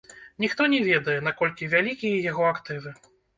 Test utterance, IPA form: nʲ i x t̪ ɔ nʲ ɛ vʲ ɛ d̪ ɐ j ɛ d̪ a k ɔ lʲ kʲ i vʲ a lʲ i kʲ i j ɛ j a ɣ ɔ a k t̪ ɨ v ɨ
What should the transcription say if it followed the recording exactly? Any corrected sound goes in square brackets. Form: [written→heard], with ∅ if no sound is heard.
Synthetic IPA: nʲ i x t̪ ɔ nʲ ɛ vʲ ɛ d̪ ɐ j ɛ [d̪→n̪] a k ɔ lʲ kʲ i vʲ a lʲ i kʲ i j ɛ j a ɣ ɔ a k t̪ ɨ v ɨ